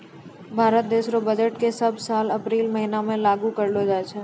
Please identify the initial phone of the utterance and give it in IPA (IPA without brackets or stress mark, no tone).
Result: bʱ